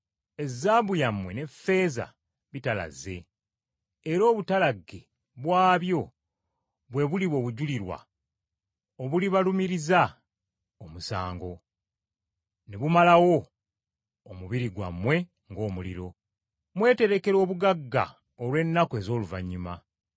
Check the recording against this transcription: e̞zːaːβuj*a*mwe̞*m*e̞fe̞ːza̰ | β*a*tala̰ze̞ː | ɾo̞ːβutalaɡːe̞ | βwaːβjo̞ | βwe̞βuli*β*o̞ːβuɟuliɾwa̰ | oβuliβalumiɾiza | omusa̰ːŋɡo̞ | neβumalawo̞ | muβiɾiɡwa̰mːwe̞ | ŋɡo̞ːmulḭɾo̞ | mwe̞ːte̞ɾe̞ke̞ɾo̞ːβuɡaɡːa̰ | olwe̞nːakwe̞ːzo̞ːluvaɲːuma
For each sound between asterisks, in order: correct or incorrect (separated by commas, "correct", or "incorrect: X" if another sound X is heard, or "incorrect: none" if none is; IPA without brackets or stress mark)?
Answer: correct, incorrect: n, incorrect: i, correct